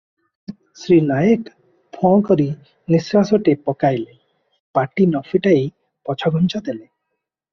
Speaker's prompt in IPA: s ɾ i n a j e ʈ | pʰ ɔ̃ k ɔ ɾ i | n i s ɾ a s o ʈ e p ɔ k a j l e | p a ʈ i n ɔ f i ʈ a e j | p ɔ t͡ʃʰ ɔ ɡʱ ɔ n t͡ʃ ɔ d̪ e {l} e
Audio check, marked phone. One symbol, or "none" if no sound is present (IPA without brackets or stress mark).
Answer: l